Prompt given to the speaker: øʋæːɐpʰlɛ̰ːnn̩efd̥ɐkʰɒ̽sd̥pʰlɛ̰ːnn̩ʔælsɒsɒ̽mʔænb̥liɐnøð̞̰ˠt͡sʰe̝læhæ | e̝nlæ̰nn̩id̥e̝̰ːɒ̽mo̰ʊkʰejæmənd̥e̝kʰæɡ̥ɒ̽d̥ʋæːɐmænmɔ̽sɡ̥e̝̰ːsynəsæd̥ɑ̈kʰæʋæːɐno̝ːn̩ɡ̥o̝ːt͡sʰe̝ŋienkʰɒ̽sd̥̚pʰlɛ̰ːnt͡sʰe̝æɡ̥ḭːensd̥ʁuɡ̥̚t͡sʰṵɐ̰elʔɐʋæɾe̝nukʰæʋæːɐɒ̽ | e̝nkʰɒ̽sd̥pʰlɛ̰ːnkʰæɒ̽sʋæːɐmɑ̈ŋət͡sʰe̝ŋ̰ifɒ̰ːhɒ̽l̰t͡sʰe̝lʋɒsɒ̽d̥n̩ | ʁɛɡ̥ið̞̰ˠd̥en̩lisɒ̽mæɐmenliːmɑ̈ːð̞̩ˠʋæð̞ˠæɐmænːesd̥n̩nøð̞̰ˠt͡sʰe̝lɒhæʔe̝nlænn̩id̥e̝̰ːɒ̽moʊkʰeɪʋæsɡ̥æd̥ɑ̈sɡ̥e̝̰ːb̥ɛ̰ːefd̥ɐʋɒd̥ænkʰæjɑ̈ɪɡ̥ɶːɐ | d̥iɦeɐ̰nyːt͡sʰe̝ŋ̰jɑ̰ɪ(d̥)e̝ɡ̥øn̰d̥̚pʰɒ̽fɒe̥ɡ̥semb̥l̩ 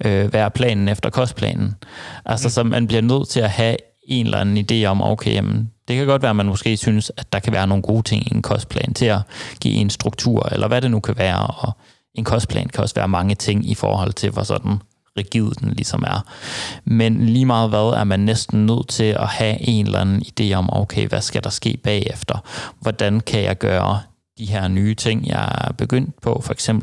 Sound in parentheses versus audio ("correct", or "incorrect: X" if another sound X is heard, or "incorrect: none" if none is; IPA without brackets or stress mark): incorrect: b̥